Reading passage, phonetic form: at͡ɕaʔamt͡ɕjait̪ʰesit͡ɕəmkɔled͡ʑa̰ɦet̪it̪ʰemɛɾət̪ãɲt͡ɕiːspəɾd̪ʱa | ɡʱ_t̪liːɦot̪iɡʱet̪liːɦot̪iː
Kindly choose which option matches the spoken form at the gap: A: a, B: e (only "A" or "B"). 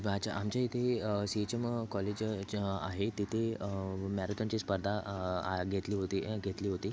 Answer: B